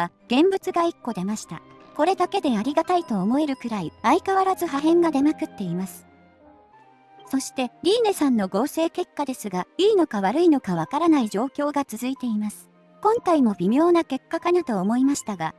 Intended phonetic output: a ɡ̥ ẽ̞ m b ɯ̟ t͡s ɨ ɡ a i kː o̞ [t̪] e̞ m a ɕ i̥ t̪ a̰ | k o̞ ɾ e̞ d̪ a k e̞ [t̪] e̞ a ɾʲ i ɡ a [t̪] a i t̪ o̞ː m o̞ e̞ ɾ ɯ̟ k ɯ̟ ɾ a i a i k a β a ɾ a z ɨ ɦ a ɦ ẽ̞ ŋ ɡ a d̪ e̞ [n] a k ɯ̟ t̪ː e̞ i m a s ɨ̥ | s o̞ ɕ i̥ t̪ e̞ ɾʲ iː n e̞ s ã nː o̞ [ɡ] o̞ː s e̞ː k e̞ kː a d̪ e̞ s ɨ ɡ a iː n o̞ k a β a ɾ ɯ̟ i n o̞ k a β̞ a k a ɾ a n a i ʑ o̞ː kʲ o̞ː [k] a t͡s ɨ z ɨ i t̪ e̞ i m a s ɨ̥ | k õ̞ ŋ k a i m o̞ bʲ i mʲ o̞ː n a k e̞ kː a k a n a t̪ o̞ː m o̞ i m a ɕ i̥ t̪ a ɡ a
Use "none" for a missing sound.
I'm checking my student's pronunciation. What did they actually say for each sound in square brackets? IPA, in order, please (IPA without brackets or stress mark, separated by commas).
d̪, d̪, t̪, m, ɡ, ɡ